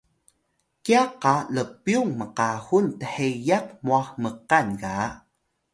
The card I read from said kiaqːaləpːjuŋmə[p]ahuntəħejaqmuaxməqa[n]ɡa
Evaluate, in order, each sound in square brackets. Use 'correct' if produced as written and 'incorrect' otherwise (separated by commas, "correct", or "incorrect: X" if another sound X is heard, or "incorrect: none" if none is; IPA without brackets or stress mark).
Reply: incorrect: q, correct